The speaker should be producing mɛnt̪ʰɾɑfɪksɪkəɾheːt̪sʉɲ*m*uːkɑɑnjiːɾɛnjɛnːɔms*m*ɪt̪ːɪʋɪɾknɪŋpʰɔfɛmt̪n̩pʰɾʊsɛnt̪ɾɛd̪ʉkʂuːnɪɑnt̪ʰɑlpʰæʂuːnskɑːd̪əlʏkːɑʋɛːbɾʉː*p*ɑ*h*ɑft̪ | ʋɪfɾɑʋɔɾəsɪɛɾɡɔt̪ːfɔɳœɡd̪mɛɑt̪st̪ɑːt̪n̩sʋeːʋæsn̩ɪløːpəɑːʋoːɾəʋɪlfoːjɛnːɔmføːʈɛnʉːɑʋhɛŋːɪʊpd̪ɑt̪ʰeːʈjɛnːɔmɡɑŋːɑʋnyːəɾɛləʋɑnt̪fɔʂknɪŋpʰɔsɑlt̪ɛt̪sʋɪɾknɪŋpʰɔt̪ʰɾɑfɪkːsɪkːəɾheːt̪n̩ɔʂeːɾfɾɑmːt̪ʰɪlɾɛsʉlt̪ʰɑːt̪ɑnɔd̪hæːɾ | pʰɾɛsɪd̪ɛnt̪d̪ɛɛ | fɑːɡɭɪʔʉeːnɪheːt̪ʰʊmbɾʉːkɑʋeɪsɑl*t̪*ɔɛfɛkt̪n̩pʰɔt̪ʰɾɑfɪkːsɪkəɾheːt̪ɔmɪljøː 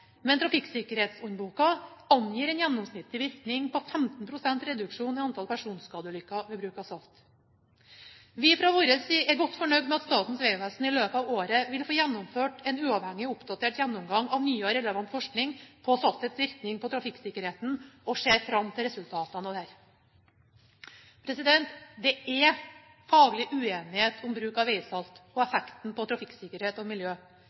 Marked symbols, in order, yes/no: no, no, no, no, yes

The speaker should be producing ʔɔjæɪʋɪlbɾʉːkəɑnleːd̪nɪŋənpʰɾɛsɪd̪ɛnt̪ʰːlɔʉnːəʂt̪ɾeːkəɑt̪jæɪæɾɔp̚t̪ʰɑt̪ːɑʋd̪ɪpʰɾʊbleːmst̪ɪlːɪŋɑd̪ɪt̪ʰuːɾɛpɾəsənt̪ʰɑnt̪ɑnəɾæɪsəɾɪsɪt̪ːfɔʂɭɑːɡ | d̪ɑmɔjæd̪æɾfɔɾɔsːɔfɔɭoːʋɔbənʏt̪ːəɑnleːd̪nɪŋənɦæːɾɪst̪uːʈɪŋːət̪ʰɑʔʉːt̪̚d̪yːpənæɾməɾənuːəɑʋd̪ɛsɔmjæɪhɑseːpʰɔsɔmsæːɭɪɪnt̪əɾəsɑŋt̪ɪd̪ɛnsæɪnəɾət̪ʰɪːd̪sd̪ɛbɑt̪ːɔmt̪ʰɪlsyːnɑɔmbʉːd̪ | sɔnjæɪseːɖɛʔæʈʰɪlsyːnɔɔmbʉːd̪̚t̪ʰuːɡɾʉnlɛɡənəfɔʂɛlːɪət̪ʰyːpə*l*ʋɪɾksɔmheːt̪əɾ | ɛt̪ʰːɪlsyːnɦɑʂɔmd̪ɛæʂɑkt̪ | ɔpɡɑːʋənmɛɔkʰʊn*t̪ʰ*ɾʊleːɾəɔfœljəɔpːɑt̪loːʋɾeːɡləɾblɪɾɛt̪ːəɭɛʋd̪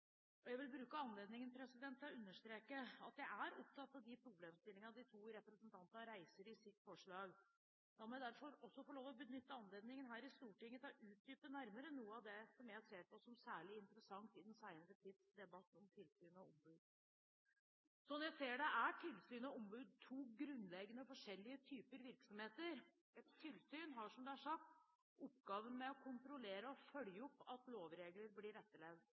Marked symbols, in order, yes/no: no, no

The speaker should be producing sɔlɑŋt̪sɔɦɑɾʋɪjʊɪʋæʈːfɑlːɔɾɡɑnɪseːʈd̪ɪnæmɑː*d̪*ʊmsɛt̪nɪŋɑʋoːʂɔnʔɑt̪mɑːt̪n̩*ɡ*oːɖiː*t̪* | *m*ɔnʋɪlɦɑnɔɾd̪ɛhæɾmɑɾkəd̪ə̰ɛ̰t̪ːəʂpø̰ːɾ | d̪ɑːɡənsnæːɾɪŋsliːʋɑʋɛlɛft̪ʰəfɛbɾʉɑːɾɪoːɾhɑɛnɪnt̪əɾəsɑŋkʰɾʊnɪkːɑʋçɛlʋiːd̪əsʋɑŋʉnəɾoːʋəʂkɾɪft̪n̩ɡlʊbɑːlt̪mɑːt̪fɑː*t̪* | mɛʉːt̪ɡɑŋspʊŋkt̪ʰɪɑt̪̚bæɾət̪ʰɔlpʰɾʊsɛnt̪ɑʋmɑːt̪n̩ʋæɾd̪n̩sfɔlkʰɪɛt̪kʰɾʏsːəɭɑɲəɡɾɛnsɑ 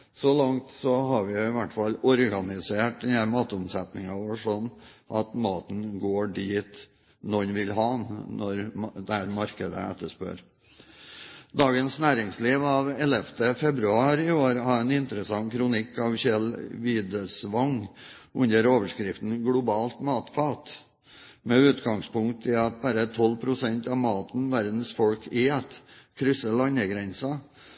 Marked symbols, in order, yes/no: no, yes, yes, no, yes

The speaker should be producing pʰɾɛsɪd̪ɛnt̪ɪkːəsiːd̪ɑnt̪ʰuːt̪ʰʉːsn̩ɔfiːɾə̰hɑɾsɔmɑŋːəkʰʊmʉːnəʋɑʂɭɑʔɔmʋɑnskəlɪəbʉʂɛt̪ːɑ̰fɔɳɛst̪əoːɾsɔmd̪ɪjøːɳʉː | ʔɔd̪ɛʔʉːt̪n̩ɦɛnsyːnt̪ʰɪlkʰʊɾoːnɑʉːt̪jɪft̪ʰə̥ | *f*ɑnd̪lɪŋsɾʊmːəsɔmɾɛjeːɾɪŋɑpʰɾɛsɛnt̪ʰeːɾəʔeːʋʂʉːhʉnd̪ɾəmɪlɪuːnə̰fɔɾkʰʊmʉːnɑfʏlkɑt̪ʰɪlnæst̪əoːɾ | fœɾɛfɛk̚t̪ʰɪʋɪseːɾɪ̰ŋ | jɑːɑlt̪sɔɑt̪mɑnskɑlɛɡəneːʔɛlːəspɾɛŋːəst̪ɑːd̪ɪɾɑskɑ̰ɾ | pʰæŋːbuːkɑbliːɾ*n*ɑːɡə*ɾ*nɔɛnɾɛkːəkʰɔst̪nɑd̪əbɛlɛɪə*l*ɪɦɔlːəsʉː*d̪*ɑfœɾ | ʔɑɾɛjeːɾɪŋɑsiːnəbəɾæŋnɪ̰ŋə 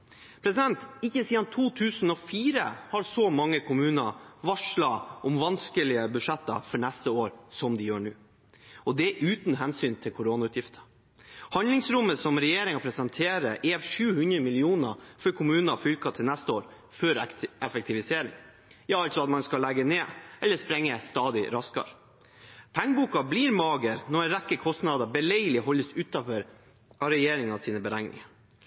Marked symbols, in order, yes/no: no, no, yes, yes, no

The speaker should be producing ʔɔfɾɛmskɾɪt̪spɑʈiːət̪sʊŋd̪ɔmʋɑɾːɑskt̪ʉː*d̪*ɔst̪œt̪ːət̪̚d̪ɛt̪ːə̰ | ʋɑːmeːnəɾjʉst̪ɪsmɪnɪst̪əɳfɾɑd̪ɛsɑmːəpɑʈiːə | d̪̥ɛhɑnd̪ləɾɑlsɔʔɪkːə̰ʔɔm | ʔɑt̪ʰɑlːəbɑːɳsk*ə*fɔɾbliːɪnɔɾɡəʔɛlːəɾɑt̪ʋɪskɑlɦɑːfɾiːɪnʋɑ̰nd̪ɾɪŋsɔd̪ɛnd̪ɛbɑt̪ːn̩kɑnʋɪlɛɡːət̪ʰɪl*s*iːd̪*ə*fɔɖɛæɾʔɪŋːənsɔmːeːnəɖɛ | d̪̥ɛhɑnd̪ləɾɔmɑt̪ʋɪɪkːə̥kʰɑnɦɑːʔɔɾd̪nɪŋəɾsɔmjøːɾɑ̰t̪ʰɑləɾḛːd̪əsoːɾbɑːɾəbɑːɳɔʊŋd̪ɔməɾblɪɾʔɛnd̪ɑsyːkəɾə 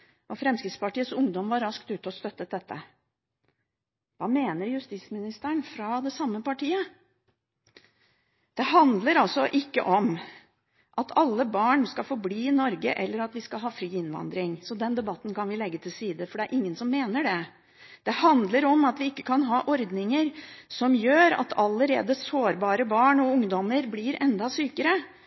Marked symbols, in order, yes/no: no, no, yes, yes

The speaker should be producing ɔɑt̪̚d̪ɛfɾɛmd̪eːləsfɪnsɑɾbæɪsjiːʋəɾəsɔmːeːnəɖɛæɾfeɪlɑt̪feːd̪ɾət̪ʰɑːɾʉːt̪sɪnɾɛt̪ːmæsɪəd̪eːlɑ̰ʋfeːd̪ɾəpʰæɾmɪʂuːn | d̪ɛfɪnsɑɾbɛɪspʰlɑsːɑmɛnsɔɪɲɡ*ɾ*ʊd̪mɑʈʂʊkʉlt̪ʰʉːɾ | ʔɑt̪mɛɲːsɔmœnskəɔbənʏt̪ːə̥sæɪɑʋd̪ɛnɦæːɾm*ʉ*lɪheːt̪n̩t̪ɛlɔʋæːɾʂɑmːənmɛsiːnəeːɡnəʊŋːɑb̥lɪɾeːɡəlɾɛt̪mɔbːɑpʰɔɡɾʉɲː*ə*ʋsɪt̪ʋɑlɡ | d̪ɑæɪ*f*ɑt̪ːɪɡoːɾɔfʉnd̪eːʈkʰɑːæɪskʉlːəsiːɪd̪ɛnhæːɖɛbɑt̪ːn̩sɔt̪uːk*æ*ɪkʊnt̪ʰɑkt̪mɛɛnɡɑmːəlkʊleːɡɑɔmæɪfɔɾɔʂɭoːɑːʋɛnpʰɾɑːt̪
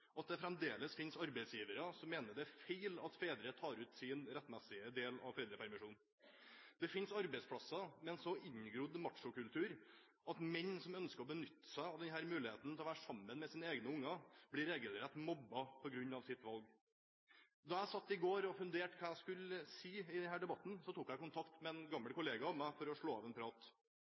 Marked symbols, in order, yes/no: yes, no, no, no, yes

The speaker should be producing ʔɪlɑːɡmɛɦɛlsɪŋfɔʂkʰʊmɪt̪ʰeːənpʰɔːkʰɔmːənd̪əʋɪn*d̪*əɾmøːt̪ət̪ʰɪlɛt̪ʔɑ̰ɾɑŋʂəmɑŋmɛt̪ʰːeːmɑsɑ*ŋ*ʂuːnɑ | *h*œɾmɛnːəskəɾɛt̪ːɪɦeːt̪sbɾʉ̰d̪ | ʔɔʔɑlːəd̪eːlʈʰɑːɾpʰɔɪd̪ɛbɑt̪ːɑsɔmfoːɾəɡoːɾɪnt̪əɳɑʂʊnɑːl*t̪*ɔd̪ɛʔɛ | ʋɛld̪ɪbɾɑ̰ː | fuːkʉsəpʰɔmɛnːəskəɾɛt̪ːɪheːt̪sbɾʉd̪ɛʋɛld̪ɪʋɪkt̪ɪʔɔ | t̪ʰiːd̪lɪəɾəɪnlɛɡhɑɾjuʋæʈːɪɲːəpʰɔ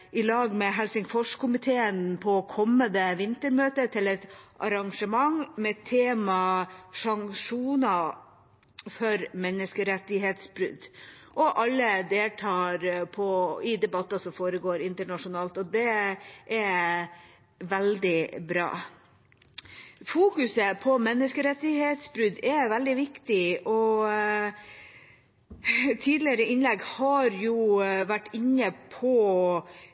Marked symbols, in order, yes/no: no, yes, no, yes

